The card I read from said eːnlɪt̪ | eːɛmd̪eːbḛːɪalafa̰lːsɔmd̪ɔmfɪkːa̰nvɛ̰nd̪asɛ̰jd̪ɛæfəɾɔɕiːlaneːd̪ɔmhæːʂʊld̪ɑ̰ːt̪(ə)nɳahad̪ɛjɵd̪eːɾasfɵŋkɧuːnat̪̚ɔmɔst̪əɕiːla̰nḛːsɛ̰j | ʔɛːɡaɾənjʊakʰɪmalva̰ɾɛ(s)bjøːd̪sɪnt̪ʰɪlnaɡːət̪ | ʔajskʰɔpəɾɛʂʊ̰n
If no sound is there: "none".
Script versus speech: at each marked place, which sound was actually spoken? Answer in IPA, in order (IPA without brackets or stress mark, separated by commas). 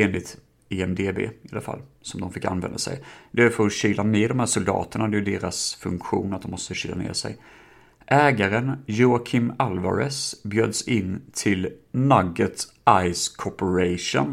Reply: ə, s